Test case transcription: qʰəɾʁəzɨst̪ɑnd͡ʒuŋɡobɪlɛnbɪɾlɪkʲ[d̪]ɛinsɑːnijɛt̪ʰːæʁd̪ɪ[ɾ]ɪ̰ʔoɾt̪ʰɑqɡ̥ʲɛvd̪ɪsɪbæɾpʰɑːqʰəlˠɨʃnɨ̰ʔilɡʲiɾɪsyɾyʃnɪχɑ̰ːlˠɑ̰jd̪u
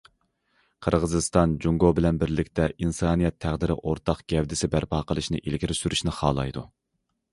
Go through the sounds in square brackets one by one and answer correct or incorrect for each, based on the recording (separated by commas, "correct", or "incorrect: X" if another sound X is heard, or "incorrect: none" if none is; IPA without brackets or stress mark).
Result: incorrect: t̪, correct